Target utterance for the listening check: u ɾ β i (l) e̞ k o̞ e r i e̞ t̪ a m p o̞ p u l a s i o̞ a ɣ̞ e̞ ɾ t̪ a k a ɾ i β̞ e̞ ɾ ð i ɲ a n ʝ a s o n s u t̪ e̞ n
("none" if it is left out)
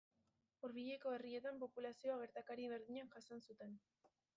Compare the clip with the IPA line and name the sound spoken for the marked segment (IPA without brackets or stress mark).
ʎ